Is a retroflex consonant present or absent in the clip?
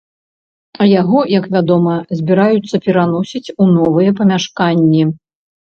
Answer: present